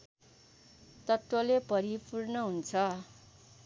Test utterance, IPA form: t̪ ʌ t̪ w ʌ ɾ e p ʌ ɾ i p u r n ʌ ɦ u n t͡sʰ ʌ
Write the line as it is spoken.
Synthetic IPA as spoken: t̪ ʌ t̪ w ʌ l e p ʌ ɾ i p u r n ʌ ɦ u n t͡sʰ ʌ